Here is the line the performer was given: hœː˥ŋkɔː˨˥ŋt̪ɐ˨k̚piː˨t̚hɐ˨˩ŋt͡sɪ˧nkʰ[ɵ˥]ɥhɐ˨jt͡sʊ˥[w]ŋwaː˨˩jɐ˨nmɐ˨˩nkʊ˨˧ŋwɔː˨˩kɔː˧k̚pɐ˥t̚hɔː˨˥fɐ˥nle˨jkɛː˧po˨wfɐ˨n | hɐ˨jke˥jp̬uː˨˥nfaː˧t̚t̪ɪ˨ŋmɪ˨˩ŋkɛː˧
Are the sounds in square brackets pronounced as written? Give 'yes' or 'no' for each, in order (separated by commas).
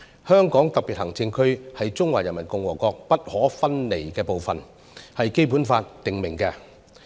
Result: yes, no